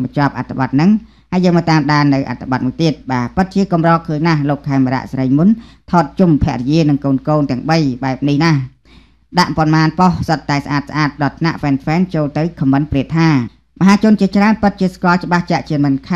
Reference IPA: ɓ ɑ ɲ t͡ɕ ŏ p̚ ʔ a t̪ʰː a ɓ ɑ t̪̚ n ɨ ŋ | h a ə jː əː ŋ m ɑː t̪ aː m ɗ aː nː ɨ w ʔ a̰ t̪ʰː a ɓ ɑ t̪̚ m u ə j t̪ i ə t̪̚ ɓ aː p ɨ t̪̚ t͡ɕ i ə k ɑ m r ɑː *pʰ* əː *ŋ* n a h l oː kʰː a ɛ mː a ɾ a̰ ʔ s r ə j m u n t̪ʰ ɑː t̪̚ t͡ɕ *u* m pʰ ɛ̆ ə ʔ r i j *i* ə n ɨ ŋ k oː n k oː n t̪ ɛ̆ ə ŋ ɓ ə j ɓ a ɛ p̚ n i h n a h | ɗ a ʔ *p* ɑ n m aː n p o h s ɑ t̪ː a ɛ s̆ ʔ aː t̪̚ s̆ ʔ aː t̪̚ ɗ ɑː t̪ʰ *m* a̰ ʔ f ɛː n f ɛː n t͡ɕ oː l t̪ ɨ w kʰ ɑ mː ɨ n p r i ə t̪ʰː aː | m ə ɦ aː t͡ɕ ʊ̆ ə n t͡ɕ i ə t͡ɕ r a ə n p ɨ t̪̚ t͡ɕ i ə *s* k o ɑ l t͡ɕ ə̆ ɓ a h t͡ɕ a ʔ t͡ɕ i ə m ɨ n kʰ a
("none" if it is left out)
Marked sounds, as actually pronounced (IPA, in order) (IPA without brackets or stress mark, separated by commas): kʰ, ɲ, u, i, p, n, s